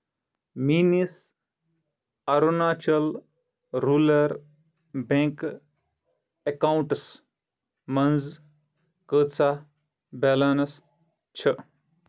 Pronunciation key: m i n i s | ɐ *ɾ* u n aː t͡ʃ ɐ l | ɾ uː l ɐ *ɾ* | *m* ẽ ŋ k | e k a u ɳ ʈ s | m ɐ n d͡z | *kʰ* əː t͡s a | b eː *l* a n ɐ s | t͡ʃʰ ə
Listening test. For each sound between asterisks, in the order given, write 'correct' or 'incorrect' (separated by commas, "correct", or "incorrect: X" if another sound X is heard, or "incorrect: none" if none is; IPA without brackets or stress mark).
correct, correct, incorrect: b, incorrect: k, correct